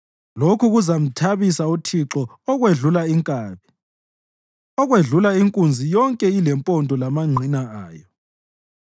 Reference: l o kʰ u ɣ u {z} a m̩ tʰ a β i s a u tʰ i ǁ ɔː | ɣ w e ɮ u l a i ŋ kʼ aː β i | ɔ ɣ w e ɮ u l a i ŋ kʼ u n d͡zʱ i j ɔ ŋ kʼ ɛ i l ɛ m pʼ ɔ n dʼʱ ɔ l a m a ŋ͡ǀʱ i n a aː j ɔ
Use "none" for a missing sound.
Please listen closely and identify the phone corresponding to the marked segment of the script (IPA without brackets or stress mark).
z